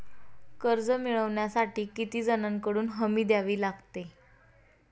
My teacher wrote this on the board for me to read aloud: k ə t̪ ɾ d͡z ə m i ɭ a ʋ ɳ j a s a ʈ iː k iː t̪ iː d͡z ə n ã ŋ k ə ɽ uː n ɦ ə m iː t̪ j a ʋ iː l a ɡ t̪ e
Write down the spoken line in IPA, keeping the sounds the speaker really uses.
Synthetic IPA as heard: k ə ɾ d͡z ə m i ɭ ə ʋ ɳ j a s a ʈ iː k i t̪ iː d͡z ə n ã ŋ k ə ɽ uː n ɦ ə m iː d̪ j a ʋ iː l a ɡ t̪ e